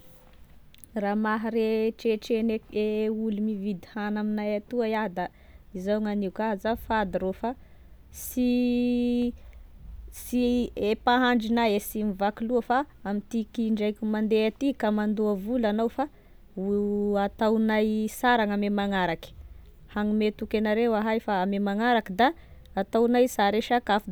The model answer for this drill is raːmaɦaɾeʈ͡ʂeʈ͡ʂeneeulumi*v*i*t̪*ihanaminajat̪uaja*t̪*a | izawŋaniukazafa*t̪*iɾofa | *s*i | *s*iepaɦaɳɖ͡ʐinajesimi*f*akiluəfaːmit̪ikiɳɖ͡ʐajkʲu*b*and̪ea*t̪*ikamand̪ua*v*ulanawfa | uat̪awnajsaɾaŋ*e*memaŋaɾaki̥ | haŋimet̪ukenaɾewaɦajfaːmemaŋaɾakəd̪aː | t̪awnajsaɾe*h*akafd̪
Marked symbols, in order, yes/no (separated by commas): yes, no, no, no, yes, yes, no, no, yes, yes, no, no